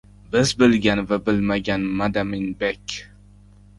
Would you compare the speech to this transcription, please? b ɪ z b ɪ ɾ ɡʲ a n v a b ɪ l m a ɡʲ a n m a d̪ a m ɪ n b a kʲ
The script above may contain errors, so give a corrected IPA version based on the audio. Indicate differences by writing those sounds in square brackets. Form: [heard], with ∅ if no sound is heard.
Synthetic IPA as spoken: b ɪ z b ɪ [l] ɡʲ a n v a b ɪ l m a ɡʲ a n m a d̪ a m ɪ n b [e] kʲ